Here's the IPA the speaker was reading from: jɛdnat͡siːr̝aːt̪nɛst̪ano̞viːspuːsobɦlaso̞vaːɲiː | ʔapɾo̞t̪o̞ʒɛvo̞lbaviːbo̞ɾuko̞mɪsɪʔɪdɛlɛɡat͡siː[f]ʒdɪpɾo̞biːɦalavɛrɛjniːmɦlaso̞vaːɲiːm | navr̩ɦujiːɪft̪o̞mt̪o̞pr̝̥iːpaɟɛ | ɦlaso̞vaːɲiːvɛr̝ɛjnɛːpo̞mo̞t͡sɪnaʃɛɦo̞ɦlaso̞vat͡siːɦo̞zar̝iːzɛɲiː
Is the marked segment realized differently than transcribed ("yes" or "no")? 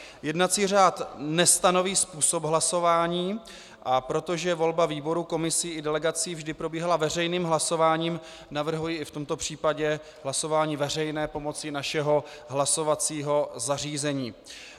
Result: yes